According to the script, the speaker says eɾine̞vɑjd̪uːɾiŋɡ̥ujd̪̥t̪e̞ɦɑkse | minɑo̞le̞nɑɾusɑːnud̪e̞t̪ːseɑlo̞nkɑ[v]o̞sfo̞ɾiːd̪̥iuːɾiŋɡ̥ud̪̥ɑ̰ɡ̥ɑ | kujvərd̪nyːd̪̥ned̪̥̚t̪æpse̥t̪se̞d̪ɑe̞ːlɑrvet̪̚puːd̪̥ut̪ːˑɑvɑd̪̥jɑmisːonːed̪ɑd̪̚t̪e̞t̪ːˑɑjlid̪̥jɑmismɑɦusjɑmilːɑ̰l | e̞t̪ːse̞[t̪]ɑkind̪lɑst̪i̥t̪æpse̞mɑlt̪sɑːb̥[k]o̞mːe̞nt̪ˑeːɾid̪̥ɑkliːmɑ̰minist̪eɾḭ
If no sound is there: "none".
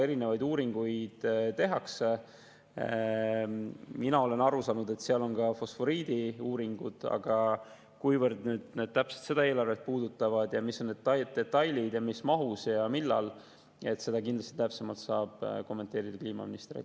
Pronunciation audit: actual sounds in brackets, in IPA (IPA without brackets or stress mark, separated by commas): f, d̪, k